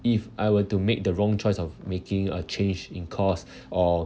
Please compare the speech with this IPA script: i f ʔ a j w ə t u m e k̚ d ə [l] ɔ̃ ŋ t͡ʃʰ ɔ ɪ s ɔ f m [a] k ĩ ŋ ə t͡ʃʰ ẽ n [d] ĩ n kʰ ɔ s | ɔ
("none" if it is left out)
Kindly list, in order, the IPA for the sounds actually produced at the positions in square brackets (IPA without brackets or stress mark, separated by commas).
ɹ, e, d͡ʒ